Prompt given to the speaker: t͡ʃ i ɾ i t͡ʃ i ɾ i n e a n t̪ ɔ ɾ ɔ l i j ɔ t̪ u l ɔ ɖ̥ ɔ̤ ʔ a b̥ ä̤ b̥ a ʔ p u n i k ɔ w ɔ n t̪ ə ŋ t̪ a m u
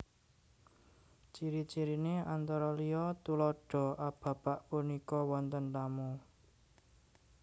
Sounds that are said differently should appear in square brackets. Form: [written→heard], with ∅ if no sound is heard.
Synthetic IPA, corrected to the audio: t͡ʃ i ɾ i t͡ʃ i ɾ i n e a n t̪ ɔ ɾ ɔ l i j ɔ t̪ u l ɔ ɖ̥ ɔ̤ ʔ a b̥ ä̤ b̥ a ʔ p u n i k ɔ w ɔ n t̪ ə [ŋ→n] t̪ a m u